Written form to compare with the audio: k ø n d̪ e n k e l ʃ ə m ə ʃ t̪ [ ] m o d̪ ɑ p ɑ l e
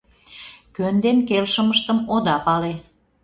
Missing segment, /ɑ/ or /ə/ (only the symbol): ə